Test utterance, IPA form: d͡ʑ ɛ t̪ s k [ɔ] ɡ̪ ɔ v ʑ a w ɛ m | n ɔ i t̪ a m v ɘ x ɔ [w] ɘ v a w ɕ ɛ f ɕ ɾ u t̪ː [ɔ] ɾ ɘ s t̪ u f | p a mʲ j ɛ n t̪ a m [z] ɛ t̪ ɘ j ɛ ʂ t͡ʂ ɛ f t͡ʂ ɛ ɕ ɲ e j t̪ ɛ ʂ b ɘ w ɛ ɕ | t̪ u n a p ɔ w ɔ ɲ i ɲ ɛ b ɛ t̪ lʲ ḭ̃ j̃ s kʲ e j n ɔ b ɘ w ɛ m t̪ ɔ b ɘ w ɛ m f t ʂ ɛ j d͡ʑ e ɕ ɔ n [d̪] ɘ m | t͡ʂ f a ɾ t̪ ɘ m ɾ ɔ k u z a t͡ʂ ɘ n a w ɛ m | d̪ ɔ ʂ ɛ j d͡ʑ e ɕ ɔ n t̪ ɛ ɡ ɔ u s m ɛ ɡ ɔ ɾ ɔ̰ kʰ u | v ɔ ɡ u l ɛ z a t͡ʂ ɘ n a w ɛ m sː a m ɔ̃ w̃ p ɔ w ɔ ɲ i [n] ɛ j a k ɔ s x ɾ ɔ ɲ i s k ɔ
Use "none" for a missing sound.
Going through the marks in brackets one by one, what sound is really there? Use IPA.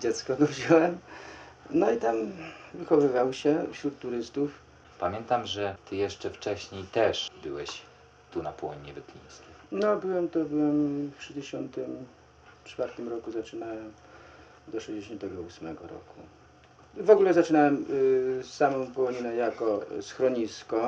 ɔ, v, u, ʐ, t̪, n

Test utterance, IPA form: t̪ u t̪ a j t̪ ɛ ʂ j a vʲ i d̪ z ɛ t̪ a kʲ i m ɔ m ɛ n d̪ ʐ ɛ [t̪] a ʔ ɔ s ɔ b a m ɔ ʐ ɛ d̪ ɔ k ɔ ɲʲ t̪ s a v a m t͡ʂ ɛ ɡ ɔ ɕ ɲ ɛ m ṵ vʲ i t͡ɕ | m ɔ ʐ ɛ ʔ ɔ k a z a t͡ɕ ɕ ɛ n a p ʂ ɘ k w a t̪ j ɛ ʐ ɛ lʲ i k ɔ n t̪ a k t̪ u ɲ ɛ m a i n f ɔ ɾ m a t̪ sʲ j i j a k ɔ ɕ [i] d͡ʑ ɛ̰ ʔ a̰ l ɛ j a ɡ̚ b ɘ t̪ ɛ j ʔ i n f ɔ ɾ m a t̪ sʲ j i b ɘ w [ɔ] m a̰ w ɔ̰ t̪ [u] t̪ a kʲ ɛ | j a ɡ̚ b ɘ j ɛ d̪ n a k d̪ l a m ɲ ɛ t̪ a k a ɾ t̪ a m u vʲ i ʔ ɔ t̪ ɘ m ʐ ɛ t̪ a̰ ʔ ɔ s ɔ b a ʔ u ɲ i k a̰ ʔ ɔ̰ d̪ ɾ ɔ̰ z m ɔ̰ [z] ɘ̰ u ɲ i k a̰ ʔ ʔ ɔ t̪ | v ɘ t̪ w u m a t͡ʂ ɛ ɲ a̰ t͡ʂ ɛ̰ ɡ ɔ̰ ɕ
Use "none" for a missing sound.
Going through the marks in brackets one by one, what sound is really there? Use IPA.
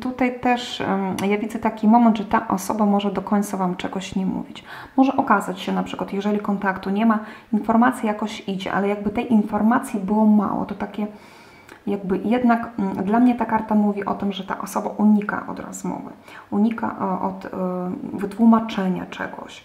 t̪, i, ɔ, ɔ, v

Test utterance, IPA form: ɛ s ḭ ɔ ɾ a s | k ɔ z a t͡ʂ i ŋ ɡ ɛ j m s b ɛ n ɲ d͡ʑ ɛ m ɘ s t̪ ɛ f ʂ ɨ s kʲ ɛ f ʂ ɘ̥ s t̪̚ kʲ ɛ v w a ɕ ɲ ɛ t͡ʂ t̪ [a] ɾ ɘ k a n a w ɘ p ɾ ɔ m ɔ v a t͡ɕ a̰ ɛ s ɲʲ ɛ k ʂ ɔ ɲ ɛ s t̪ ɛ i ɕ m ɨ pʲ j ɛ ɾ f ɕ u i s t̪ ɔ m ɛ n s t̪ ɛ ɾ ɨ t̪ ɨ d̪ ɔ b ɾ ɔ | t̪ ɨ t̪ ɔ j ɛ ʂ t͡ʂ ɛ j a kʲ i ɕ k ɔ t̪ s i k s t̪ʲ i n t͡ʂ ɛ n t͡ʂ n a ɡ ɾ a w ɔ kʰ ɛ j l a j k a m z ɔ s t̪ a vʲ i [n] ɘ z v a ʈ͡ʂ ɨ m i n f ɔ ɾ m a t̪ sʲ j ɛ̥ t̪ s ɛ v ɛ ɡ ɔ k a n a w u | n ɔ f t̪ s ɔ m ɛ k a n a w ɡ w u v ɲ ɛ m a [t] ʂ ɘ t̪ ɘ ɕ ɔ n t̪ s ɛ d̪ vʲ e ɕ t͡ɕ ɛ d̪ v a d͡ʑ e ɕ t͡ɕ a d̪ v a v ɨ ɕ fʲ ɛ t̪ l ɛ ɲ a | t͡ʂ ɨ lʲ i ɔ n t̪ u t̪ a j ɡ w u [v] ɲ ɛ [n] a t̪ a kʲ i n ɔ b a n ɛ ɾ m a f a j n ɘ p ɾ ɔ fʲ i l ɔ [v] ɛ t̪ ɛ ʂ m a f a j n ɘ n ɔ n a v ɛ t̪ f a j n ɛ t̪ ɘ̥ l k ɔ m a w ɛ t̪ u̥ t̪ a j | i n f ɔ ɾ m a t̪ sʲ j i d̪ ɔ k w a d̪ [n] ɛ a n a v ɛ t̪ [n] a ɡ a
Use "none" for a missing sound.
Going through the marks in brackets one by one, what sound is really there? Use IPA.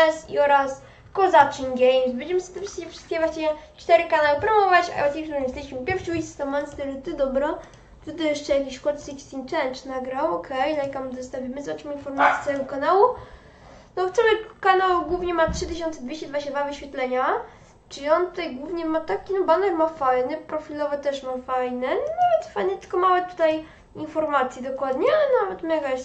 ɛ, m, t, v, m, v, ɲ, m

